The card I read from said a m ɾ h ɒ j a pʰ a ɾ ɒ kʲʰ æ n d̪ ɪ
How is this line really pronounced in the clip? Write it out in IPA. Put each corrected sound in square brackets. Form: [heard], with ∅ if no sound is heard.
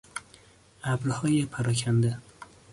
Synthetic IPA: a [b] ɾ h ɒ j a pʰ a ɾ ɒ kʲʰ [a] n d̪ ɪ